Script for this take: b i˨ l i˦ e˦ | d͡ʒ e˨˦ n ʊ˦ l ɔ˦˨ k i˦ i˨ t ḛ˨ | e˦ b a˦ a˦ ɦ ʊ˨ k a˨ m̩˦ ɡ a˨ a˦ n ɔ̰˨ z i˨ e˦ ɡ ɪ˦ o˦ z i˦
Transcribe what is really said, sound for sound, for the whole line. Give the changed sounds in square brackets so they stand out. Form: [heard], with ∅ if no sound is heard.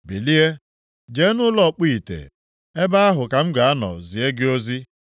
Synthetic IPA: b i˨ l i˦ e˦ | d͡ʒ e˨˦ n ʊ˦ l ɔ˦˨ [k͡p] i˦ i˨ t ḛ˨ | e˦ b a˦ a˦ ɦ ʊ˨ k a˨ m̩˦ ɡ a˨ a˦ n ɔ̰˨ z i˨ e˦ ɡ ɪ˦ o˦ z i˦